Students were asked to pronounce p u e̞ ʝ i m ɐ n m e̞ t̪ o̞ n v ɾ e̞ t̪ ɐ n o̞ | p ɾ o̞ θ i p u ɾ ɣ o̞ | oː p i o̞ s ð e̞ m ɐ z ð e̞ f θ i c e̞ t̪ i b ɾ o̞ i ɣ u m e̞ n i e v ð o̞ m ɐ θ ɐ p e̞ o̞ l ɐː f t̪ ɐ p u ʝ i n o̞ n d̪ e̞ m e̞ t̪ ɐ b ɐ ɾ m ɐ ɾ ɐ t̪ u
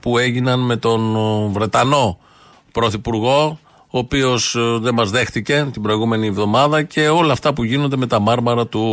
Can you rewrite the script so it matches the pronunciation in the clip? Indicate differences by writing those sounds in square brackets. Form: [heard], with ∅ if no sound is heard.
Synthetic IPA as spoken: p u e̞ ʝ i [n] ɐ n m e̞ t̪ o̞ n v ɾ e̞ t̪ ɐ n o̞ | p ɾ o̞ θ i p u ɾ ɣ o̞ | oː p i o̞ s ð e̞ m ɐ z ð e̞ [x] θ i c e̞ t̪ i b ɾ o̞ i ɣ u m e̞ n i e v ð o̞ m ɐ [ð] ɐ [c] e̞ o̞ l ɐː f t̪ ɐ p u ʝ i n o̞ n d̪ e̞ m e̞ t̪ ɐ [m] ɐ ɾ m ɐ ɾ ɐ t̪ u